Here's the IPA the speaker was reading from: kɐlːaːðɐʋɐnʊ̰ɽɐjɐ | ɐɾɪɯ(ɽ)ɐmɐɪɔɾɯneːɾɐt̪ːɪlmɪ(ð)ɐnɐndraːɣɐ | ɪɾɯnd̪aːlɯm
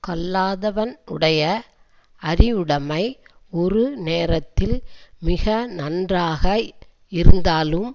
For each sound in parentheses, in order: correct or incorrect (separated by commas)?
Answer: correct, incorrect